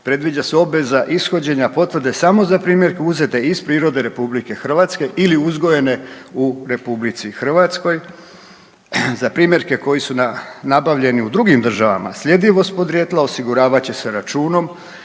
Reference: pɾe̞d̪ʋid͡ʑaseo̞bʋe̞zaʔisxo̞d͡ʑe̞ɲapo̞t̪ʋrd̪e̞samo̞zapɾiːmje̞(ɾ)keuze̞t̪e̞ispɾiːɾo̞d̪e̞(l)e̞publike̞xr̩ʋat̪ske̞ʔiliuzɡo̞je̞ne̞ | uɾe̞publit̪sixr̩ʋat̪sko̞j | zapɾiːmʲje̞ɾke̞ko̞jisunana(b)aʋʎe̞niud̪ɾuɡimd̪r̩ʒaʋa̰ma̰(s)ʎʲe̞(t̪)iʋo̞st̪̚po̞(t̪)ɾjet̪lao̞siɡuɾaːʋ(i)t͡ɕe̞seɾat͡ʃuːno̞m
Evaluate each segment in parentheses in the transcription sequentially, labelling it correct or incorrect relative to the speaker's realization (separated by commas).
correct, incorrect, correct, correct, incorrect, incorrect, incorrect